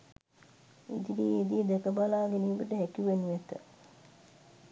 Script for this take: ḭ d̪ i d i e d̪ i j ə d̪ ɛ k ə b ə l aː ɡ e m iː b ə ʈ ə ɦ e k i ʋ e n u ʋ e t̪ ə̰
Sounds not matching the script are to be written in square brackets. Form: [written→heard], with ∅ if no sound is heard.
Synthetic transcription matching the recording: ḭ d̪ i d i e d̪ i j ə d̪ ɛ k ə b [ə→a] l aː ɡ e [m→n] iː b ə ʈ ə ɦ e k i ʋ e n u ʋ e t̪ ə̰